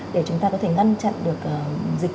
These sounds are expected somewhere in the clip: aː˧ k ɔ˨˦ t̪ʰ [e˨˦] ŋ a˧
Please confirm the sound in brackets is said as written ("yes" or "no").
no